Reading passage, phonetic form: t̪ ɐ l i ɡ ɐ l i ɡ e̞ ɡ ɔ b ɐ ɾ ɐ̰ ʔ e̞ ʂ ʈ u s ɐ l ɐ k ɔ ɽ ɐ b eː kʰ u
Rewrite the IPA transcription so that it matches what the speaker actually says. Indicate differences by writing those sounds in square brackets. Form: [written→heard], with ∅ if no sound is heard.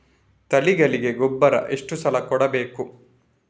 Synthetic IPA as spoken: t̪ ɐ l i ɡ ɐ l i ɡ e̞ ɡ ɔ [b→bː] ɐ ɾ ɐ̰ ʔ e̞ ʂ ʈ u s ɐ l ɐ k ɔ ɽ ɐ b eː [kʰ→k] u